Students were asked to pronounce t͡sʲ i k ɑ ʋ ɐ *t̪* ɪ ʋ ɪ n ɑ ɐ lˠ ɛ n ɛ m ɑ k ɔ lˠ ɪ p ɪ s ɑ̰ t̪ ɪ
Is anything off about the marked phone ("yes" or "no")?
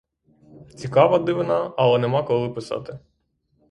yes